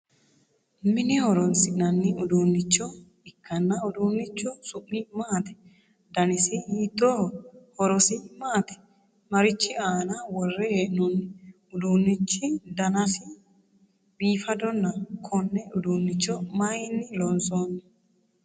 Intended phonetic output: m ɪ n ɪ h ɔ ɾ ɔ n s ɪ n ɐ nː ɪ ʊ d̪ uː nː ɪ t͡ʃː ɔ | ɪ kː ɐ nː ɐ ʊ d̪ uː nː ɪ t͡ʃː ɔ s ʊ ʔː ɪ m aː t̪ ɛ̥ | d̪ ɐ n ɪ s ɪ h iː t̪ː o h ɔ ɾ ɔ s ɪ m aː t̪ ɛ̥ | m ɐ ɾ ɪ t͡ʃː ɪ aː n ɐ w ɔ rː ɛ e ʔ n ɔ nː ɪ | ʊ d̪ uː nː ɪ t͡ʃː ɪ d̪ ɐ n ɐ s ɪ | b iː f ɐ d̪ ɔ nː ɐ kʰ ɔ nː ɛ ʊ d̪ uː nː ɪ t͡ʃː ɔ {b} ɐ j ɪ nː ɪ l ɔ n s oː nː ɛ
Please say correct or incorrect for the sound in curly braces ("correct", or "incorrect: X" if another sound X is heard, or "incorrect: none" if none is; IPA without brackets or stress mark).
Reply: incorrect: m